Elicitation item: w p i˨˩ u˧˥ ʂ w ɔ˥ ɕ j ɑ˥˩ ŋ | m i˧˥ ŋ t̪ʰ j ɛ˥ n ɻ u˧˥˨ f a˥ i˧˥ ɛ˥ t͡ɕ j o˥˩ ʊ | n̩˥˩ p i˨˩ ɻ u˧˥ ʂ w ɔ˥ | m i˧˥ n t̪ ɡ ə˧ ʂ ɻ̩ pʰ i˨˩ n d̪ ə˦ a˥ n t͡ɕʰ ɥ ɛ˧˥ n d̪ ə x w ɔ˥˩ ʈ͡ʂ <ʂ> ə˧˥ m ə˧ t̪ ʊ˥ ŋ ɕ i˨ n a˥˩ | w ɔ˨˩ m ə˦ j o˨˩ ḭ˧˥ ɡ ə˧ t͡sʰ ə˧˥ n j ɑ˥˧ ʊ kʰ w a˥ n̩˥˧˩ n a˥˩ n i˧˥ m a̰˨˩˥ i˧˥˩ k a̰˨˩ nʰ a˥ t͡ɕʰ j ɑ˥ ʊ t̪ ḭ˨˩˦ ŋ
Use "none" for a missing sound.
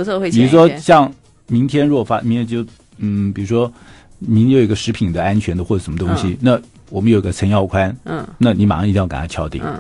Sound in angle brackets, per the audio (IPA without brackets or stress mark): ʂ